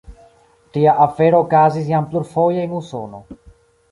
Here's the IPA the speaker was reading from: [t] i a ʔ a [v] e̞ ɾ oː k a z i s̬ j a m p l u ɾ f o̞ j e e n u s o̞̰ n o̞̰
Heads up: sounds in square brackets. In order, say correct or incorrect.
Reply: correct, incorrect

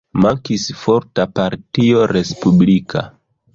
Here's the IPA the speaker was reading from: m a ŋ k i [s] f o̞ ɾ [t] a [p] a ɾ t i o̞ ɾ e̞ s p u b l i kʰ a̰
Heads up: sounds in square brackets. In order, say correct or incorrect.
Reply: correct, correct, correct

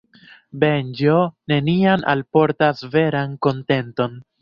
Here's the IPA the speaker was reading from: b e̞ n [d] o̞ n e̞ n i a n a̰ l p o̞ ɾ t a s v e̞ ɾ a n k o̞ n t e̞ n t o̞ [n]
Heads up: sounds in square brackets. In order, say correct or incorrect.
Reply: incorrect, correct

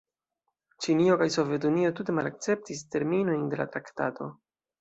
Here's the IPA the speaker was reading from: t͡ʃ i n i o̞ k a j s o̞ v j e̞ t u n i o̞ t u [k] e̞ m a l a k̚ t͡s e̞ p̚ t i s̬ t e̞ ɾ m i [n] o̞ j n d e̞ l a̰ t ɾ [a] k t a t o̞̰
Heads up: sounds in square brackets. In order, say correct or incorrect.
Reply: incorrect, correct, correct

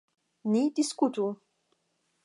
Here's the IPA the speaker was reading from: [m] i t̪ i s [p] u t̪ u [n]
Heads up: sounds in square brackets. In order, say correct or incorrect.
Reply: incorrect, incorrect, incorrect

